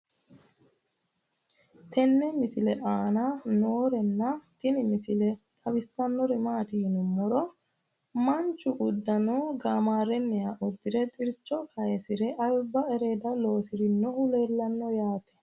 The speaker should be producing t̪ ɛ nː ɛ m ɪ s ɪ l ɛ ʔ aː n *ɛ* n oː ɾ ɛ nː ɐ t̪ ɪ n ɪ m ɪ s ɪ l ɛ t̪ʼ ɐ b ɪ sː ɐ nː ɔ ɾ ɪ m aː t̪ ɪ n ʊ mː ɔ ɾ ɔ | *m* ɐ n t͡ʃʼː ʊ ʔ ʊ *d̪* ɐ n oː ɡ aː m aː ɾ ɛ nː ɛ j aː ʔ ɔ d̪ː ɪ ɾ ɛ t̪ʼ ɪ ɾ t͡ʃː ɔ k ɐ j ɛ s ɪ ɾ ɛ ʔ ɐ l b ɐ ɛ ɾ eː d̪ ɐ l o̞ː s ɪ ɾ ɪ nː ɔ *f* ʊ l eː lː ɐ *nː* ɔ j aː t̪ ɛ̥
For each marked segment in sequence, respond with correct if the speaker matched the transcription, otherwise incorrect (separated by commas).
incorrect, correct, incorrect, incorrect, correct